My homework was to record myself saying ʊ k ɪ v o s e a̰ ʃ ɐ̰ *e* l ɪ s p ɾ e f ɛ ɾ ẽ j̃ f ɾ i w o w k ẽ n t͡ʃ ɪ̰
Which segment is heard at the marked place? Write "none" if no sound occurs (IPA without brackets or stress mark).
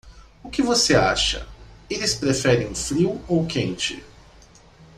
e